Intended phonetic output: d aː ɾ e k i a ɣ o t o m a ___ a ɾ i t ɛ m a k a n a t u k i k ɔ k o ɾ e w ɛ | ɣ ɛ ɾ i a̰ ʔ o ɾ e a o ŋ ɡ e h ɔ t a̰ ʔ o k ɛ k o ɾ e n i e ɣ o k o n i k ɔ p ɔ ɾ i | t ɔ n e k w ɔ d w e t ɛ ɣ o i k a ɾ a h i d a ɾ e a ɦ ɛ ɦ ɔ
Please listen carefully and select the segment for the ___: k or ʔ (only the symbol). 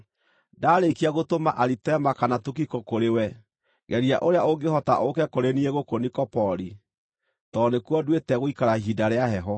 ʔ